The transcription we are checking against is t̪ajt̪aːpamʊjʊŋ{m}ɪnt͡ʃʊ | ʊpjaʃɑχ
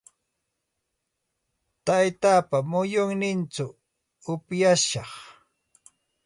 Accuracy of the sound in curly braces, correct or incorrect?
incorrect